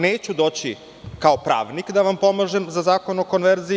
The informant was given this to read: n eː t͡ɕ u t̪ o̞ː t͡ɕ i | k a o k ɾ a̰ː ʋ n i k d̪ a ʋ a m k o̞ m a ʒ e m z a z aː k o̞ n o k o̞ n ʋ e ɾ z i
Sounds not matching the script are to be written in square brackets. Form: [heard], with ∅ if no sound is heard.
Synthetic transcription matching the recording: n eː t͡ɕ u [d̪] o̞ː t͡ɕ i | k a o [p] ɾ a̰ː ʋ n i k d̪ a ʋ a m [p] o̞ m a ʒ e m z a z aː k o̞ n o k o̞ n ʋ e ɾ z i

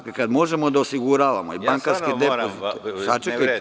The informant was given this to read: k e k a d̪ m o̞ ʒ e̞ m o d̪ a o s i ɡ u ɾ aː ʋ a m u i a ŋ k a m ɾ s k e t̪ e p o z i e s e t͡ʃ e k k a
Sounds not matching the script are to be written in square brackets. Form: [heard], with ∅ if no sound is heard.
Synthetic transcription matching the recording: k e k a d̪ m o̞ ʒ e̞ m o d̪ a o s i ɡ u ɾ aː ʋ a m [o] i a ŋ k a [∅] ɾ s k e [d̪] e p o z i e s [a] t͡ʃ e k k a

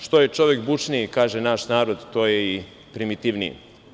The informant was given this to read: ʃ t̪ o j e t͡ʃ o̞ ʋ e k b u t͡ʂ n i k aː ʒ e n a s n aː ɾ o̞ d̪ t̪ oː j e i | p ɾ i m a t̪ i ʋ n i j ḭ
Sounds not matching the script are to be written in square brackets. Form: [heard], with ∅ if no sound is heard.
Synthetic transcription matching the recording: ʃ t̪ o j e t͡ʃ o̞ ʋ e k b u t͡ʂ n i k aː ʒ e n a [ʃ] n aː ɾ o̞ d̪ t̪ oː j e i | p ɾ i m [i] t̪ i ʋ n i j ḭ

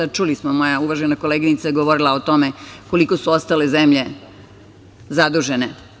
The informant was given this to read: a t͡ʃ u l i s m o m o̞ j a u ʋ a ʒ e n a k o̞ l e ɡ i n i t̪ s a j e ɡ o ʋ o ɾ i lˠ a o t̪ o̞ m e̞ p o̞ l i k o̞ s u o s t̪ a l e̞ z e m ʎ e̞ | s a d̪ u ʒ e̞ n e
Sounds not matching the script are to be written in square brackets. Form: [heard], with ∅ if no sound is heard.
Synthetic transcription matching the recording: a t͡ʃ u l i s m o m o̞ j a u ʋ a ʒ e n a k o̞ l e ɡ i n i t̪ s a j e ɡ o ʋ o ɾ i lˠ a o t̪ o̞ m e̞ [k] o̞ l i k o̞ s u o s t̪ a l e̞ z e m ʎ e̞ | [z] a d̪ u ʒ e̞ n e

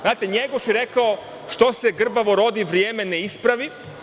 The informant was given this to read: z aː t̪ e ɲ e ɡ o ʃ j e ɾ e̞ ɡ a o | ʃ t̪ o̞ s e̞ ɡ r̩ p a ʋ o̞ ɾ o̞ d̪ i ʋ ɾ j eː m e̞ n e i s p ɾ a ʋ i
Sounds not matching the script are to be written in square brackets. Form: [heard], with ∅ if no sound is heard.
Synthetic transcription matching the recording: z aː t̪ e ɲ e ɡ o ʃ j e ɾ e̞ [k] a o | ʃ t̪ o̞ s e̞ ɡ r̩ [b] a ʋ o̞ ɾ o̞ d̪ i ʋ ɾ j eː m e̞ n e i s p ɾ a ʋ i

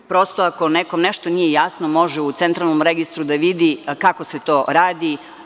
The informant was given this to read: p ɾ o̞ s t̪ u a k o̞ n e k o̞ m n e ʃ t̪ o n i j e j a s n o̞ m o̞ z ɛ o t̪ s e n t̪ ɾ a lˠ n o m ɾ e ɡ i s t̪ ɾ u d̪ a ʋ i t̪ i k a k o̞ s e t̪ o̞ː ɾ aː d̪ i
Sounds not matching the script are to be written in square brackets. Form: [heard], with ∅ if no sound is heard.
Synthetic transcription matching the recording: p ɾ o̞ s t̪ [o] a k o̞ n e k o̞ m n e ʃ t̪ o n i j e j a s n o̞ m o̞ [ʒ] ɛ [u] t̪ s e n t̪ ɾ a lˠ n o m ɾ e ɡ i s t̪ ɾ u d̪ a ʋ i [d̪] i k a k o̞ s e t̪ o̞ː ɾ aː d̪ i

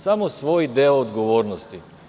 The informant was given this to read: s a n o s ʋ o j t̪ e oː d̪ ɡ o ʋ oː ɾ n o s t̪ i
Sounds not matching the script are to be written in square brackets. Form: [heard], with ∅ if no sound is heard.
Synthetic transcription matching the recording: s a [m] o s ʋ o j [d̪] e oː d̪ ɡ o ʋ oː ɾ n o s t̪ i

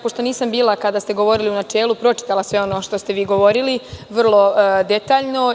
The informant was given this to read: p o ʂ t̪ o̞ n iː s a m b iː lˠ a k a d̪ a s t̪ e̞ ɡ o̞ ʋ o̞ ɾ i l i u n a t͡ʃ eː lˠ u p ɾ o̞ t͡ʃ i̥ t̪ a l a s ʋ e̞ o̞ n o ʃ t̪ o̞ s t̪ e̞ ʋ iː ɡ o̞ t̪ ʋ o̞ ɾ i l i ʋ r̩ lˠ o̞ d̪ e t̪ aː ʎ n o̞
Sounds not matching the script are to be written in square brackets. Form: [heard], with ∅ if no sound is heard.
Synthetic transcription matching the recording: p o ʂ t̪ o̞ n iː s a m b iː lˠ a k a d̪ a s t̪ e̞ ɡ o̞ ʋ o̞ ɾ i l i u n a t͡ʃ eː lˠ u p ɾ o̞ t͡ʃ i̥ t̪ a l a s ʋ e̞ o̞ n o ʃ t̪ o̞ s t̪ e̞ ʋ iː ɡ o̞ [∅] ʋ o̞ ɾ i l i ʋ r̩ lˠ o̞ d̪ e t̪ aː ʎ n o̞

